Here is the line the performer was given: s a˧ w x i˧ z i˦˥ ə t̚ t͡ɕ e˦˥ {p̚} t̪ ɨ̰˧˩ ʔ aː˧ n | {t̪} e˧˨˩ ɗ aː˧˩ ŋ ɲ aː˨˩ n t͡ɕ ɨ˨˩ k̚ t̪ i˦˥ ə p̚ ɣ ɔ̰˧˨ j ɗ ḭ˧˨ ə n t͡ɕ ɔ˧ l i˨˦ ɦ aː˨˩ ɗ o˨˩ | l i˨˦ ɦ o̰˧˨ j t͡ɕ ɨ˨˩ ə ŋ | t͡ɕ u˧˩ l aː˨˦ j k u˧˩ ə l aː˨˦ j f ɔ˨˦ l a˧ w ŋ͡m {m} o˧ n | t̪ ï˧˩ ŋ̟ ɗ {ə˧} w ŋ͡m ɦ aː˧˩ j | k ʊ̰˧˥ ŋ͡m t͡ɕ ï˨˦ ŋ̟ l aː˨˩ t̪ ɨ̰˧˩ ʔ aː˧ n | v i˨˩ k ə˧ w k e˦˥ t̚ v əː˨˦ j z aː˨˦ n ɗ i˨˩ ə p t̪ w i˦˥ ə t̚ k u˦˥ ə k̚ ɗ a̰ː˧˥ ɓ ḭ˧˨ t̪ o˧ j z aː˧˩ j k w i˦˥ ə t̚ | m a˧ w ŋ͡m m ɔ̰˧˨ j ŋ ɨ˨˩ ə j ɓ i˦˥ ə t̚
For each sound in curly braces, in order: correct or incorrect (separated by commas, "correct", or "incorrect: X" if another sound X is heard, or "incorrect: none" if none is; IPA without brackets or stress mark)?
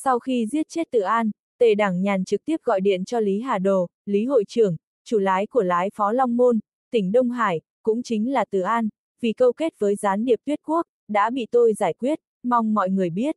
incorrect: t̚, correct, correct, correct